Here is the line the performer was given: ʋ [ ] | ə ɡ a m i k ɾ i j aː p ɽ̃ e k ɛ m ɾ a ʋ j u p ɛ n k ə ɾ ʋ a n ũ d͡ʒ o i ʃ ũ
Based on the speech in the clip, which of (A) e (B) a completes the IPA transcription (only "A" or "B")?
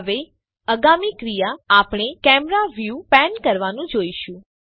A